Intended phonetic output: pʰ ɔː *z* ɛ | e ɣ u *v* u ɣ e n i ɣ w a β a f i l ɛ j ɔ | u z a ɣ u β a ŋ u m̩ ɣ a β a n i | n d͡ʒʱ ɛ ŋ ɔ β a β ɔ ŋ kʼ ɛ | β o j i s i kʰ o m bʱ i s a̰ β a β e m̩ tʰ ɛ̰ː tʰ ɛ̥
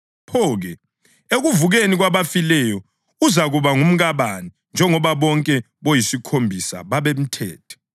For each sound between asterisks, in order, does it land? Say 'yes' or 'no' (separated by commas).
no, yes